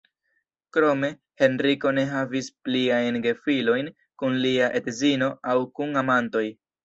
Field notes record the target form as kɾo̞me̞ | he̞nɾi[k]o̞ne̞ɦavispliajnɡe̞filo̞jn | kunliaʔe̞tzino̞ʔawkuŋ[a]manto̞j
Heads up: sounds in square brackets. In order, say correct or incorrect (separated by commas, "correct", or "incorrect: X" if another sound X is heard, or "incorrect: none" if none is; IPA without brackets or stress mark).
correct, correct